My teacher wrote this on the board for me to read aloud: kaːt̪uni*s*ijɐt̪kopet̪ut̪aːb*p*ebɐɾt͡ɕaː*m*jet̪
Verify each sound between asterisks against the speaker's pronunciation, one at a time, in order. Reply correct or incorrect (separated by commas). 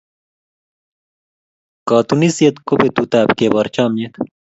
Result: correct, incorrect, correct